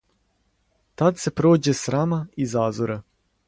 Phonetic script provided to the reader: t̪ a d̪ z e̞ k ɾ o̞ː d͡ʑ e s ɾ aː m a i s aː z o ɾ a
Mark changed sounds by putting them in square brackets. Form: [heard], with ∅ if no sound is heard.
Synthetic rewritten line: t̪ a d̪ [s] e̞ [p] ɾ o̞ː d͡ʑ e s ɾ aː m a i [z] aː z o ɾ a